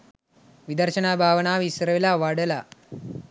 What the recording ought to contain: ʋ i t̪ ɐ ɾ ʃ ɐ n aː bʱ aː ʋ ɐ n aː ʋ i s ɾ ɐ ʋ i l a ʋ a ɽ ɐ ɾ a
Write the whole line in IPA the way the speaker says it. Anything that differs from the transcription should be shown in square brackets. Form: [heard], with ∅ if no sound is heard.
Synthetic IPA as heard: ʋ i [d̪] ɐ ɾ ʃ ɐ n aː bʱ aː ʋ ɐ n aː ʋ i s ɾ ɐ ʋ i l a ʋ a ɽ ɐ [l] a